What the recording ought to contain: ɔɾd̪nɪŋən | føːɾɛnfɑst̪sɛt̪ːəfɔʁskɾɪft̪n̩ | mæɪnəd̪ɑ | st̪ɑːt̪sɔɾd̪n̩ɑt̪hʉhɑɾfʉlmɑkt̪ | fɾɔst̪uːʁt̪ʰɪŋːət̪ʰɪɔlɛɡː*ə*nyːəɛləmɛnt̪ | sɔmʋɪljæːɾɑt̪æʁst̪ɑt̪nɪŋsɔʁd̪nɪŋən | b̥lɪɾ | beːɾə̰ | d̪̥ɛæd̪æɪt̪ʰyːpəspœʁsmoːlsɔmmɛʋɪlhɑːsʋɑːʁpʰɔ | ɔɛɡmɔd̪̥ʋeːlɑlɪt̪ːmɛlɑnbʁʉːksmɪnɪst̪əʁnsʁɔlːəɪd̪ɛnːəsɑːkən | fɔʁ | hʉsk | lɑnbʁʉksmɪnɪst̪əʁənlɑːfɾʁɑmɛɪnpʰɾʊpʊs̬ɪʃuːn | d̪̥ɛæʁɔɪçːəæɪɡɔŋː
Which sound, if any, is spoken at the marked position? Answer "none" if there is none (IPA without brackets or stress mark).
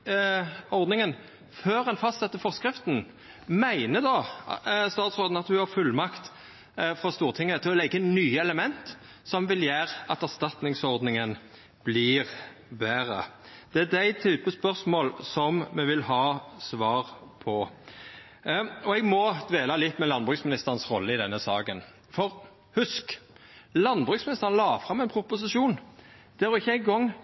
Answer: ə